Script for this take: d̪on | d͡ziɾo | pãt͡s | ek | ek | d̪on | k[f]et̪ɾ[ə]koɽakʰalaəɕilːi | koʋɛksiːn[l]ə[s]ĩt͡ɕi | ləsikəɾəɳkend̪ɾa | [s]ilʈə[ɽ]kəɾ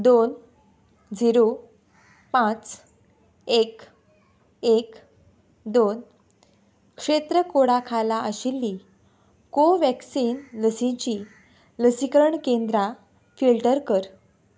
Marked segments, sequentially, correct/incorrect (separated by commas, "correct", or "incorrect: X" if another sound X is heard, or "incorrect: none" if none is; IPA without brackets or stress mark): incorrect: ʂ, correct, correct, correct, incorrect: f, incorrect: ɾ